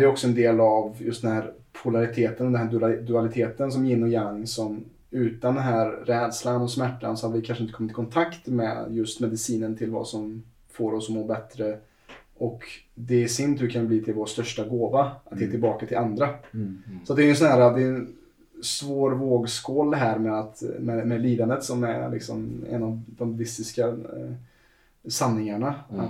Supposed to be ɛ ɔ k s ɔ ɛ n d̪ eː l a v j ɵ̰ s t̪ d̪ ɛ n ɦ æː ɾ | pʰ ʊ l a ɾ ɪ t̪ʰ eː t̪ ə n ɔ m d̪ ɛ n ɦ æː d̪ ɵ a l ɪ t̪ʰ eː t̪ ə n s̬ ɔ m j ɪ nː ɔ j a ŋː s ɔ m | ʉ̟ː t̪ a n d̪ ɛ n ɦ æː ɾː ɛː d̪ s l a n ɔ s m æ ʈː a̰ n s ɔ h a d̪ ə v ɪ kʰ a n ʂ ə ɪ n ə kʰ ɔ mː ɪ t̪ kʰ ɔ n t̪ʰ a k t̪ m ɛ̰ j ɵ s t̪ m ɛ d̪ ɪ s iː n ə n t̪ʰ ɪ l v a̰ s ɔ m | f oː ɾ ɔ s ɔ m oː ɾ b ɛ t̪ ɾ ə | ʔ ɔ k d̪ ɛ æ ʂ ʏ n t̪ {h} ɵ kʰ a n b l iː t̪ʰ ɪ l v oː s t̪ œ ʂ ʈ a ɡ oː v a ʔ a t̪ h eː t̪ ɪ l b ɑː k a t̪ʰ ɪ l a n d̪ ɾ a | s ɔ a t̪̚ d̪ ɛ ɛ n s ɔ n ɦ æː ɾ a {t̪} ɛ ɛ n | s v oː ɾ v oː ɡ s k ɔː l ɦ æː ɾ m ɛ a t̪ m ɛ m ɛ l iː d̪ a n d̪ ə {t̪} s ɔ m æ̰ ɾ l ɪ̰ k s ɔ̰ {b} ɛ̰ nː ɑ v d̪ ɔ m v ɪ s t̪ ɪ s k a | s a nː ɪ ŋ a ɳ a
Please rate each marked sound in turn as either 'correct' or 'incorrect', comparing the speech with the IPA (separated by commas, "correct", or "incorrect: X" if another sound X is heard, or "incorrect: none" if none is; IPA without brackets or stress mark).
correct, incorrect: d̪, correct, incorrect: m